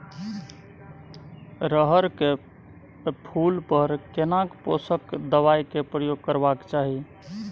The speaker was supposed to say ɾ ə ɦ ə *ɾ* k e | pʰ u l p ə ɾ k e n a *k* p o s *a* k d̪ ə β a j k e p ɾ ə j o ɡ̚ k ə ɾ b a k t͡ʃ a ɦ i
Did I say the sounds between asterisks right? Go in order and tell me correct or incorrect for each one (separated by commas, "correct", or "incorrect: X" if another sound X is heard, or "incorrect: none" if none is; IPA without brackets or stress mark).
correct, correct, incorrect: ə